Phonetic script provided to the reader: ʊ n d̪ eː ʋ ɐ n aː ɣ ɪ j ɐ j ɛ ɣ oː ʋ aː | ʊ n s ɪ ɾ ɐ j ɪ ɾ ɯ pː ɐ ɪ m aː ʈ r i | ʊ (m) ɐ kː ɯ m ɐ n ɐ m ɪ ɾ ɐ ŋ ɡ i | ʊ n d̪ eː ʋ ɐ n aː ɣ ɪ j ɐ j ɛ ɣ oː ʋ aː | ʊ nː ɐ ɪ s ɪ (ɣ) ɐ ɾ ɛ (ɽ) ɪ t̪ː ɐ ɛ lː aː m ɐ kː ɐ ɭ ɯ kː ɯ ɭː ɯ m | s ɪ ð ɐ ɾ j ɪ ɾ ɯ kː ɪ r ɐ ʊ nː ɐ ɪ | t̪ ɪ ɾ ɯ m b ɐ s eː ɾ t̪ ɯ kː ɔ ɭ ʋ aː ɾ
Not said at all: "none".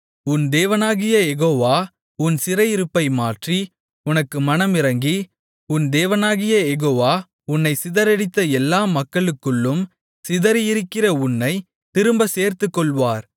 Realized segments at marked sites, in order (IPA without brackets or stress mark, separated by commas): n, ð, ɽ